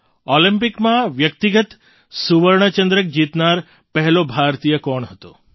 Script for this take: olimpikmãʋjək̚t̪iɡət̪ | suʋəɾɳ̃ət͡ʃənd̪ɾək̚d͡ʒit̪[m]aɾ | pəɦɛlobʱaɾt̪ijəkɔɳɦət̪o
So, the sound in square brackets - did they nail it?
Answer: no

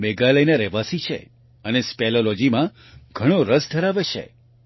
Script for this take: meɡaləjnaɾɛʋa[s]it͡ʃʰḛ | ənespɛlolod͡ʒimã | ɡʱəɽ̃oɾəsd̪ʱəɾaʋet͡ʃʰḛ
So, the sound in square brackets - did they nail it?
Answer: yes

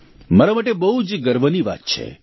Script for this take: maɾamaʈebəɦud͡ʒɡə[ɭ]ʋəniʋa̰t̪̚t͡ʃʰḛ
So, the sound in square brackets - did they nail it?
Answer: no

